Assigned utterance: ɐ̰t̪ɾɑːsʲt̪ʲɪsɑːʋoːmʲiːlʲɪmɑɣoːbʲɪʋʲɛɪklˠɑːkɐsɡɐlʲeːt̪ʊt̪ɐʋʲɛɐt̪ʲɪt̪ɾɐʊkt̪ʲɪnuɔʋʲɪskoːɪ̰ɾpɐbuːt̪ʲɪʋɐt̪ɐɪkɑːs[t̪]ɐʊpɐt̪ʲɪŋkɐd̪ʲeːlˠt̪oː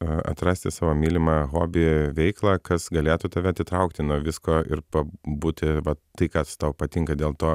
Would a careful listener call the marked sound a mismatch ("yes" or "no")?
no